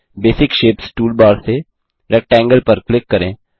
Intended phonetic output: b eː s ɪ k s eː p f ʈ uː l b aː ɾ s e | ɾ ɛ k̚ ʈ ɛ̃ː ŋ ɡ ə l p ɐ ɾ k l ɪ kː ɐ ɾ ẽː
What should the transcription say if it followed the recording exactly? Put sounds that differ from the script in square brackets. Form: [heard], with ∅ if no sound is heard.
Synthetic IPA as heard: b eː s ɪ k [ʃ] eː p [s] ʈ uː l b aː ɾ s e | ɾ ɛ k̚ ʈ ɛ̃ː ŋ ɡ ə l p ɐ ɾ k l ɪ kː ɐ ɾ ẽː